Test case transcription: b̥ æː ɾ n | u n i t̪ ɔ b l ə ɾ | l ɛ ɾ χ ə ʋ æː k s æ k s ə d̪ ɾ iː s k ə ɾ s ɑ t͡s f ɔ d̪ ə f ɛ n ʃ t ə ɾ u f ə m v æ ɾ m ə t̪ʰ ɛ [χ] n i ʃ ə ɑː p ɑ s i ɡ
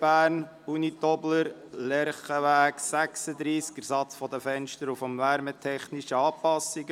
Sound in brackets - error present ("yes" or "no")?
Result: no